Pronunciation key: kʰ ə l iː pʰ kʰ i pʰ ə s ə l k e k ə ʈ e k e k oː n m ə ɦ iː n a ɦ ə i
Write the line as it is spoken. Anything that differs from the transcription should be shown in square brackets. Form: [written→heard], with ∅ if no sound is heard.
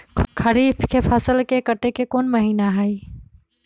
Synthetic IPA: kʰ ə [l→ɾ] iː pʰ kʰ [i→e] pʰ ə s ə l k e k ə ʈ e k e k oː n m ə ɦ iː n a ɦ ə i